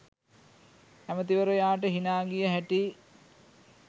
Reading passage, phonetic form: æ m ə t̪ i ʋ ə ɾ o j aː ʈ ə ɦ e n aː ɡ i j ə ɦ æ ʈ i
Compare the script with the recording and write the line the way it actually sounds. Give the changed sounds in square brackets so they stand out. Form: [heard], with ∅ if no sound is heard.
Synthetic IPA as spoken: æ m ə t̪ i ʋ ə ɾ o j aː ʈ ə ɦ [i] n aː ɡ i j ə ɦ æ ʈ i